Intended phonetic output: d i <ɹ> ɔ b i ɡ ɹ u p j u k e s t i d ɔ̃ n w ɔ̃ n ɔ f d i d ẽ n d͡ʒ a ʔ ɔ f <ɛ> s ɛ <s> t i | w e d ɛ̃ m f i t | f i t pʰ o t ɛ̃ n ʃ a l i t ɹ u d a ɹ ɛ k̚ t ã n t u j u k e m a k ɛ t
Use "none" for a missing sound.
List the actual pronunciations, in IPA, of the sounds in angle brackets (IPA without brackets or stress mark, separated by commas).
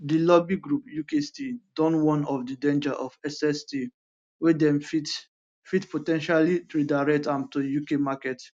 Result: l, ɛ, s